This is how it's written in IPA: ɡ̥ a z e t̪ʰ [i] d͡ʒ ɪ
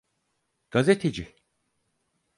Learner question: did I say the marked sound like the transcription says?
no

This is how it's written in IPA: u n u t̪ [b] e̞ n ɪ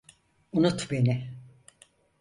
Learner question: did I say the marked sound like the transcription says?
yes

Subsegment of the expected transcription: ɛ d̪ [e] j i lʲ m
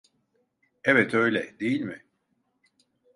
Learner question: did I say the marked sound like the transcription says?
yes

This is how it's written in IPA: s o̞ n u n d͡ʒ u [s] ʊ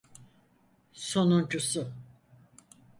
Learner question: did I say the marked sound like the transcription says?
yes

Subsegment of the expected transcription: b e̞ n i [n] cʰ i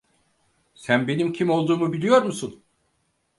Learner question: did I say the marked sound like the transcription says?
no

